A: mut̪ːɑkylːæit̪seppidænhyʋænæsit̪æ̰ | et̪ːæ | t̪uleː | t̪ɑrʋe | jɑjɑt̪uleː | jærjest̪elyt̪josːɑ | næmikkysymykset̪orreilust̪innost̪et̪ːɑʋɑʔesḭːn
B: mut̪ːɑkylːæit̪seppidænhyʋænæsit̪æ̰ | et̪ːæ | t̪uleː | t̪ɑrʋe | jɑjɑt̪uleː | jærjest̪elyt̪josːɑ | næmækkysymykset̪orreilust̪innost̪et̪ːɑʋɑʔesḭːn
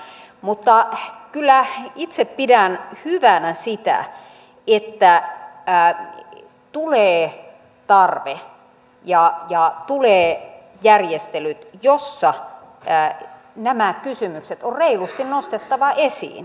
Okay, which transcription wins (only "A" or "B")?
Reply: B